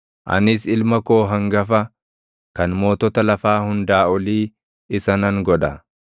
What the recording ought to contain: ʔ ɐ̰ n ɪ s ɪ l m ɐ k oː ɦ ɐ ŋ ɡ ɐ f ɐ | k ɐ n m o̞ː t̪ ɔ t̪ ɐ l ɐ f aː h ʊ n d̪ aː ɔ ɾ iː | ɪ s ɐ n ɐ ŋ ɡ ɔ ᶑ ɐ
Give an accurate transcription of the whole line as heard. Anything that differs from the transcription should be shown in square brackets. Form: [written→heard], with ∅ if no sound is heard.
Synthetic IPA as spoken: ʔ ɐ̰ n ɪ s ɪ l m ɐ k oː ɦ ɐ ŋ ɡ ɐ f ɐ | k ɐ n m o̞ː t̪ ɔ t̪ ɐ l ɐ f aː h ʊ n d̪ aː ɔ [ɾ→l] iː | ɪ s ɐ n ɐ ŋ ɡ ɔ ᶑ ɐ